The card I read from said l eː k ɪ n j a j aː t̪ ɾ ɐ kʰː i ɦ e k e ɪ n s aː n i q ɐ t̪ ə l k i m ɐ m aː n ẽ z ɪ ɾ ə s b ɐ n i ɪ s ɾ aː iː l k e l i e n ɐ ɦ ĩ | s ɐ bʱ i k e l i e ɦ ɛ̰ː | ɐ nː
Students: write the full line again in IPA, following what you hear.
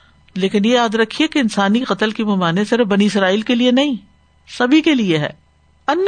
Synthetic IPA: l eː k ɪ n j e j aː d̪ ɾ ɐ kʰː i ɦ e k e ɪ n s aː n i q ɐ t̪ ə l k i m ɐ m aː n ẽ s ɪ ɾ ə f b ɐ n i ɪ s ɾ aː iː l k e l i e n ɐ ɦ ĩ | s ɐ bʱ i k e l i e ɦ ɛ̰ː | ɐ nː